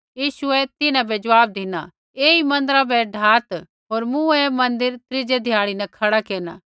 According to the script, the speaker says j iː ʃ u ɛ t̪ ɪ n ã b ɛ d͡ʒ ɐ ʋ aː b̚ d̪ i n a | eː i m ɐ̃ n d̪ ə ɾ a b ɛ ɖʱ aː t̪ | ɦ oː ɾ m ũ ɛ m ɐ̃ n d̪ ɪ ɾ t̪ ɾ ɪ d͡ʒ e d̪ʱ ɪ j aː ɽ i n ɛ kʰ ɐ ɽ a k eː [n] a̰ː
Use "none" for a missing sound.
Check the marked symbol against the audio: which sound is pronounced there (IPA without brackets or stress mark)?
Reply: n